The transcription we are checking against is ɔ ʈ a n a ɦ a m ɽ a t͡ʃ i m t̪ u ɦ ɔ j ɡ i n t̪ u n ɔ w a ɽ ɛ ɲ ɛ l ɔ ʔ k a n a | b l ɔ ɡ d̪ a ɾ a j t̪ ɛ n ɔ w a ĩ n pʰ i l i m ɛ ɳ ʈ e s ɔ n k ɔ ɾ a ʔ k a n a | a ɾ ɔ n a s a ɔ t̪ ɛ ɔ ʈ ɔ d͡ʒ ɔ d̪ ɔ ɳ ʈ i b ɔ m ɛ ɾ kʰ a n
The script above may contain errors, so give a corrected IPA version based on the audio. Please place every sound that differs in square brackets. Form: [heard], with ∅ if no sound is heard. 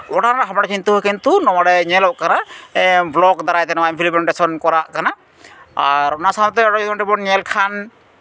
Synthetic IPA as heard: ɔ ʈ a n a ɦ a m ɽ a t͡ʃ i [n] t̪ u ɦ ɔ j [k] i n t̪ u n ɔ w a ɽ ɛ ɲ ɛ l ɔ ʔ k a n a | b l ɔ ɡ d̪ a ɾ a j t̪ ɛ n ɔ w a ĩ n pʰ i l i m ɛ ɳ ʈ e s ɔ n k ɔ ɾ a ʔ k a n a | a ɾ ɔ n a s a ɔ t̪ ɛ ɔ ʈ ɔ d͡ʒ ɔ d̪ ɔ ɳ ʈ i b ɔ [ɲ] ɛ [l] kʰ a n